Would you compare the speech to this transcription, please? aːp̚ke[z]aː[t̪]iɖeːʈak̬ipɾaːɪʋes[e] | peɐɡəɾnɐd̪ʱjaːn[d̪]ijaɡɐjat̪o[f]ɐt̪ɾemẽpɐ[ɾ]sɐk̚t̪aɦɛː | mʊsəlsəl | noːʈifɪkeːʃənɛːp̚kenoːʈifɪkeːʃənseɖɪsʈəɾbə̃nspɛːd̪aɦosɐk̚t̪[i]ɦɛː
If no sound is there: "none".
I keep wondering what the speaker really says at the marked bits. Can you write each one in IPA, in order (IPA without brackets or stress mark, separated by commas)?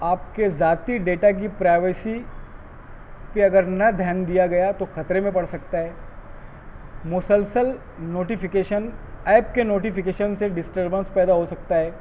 z, t̪, i, d̪, x, ɽ, a